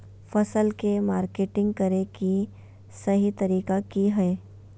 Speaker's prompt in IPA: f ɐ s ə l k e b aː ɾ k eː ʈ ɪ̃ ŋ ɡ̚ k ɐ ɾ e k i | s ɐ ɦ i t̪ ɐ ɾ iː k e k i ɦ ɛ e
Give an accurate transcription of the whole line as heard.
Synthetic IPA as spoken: f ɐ s ə l k e m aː ɾ k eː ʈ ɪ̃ ŋ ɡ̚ k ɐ ɾ e k i | s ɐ ɦ i t̪ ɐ ɾ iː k a k i ɦ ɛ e